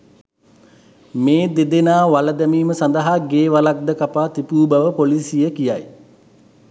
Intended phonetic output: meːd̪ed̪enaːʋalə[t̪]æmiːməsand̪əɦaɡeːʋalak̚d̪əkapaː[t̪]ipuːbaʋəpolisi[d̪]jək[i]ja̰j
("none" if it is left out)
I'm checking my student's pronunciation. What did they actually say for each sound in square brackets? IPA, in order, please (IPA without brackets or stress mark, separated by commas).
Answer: d̪, t̪, none, i